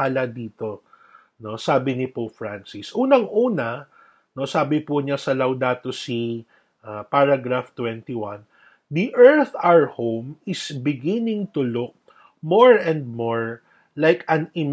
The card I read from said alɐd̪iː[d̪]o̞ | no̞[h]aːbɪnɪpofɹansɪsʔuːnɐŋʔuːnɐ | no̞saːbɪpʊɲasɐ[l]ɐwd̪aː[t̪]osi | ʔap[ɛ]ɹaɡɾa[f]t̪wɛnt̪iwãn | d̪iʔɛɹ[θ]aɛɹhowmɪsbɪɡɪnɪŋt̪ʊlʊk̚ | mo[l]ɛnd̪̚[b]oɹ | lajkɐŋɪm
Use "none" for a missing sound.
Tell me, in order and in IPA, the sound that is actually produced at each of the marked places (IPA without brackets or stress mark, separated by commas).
t̪, s, l, t̪, a, f, θ, ɹ, m